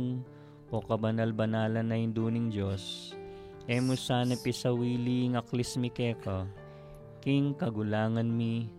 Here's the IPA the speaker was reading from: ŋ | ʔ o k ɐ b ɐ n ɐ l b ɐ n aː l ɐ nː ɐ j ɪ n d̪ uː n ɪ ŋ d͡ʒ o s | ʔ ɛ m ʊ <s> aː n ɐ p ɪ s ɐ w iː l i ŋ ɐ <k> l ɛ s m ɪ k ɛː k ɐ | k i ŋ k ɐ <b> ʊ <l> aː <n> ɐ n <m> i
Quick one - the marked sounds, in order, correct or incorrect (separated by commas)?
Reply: correct, correct, incorrect, correct, incorrect, correct